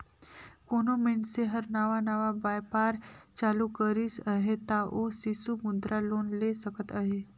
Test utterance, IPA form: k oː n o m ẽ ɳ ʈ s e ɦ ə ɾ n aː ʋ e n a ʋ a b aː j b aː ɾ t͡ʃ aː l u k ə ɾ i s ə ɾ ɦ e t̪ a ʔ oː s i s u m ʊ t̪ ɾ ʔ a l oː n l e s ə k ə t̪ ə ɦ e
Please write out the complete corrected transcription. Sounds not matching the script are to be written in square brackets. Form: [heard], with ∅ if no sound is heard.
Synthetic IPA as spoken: k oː n o m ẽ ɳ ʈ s e ɦ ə ɾ n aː ʋ [a] n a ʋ a b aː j [p] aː ɾ t͡ʃ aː l u k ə ɾ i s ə [∅] ɦ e t̪ a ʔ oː s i s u m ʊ [d̪] ɾ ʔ a l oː n l e s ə k ə t̪ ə ɦ e